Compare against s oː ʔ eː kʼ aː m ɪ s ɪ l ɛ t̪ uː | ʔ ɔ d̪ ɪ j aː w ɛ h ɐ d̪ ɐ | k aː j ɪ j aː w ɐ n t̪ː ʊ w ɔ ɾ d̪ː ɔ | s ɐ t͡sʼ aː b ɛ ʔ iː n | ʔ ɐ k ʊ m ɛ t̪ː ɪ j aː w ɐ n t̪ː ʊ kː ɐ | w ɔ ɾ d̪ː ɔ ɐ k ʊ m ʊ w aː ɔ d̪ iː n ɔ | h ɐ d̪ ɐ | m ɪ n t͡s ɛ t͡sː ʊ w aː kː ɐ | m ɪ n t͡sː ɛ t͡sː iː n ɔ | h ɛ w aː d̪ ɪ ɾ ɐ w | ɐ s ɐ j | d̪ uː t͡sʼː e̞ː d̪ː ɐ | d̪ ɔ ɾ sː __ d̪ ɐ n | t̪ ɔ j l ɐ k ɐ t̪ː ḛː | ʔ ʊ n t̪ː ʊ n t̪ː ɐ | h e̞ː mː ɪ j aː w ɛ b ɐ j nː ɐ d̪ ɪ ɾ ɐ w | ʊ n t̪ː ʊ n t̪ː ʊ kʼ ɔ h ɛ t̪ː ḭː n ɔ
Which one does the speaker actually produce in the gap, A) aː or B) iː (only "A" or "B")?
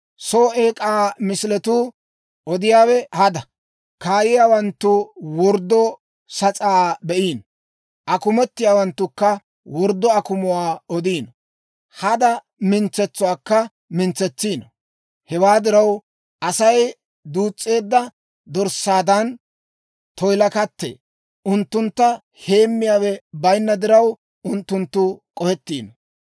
A